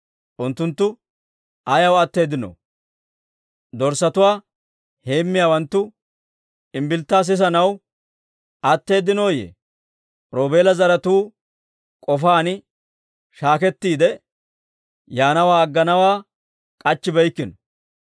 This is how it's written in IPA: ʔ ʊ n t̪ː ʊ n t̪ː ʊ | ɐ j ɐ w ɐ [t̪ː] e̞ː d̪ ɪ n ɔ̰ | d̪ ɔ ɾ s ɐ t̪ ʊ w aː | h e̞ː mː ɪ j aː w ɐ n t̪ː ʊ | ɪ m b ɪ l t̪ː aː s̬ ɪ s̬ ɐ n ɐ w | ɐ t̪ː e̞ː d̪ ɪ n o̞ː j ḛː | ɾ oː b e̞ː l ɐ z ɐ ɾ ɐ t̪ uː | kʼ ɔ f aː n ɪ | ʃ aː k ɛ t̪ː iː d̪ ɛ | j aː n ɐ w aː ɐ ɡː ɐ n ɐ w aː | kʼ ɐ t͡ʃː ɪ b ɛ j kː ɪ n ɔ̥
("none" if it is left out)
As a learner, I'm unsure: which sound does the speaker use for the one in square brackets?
t̪ː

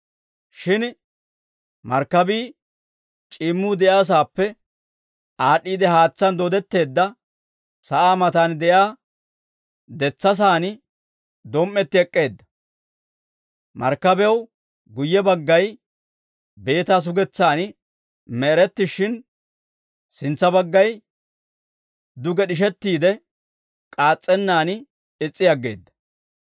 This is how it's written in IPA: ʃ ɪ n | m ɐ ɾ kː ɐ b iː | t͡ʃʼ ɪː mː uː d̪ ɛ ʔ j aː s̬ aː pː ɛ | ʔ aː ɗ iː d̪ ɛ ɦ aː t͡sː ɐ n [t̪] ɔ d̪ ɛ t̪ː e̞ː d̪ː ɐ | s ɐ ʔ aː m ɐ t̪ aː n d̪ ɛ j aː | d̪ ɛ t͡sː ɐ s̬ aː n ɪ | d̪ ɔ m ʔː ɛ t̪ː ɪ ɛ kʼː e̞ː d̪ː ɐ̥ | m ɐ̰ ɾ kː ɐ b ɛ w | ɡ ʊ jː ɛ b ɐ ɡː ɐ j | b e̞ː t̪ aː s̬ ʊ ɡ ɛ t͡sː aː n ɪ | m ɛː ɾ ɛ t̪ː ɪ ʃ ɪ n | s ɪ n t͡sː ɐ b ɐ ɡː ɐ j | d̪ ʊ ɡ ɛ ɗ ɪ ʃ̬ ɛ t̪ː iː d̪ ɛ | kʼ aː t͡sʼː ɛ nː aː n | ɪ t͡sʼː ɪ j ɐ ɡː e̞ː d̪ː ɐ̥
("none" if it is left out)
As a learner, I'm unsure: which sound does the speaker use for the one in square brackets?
d̪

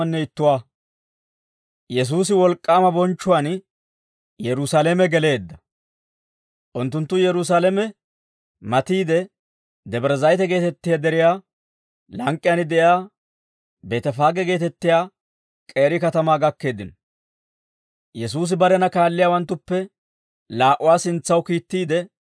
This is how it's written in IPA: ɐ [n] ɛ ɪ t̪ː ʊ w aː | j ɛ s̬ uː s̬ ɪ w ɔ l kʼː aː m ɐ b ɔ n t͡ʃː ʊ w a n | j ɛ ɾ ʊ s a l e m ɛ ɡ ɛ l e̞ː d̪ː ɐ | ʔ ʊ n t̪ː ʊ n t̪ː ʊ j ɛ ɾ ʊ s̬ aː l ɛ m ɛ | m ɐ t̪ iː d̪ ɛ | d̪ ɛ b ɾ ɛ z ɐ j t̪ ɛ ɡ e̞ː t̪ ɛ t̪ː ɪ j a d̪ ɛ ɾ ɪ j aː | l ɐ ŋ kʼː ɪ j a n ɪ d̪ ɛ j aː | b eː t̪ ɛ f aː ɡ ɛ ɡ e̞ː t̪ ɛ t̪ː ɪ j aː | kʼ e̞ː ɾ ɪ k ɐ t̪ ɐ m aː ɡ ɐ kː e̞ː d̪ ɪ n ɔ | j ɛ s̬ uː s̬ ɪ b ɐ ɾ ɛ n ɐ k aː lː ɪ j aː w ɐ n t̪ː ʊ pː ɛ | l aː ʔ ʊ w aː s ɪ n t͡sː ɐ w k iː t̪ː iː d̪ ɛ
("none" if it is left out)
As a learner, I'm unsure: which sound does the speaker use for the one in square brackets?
nː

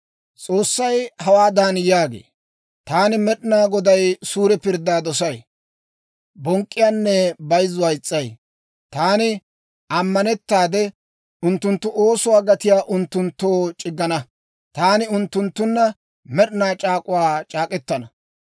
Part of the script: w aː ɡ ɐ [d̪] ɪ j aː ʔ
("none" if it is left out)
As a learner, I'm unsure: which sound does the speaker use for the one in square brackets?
t̪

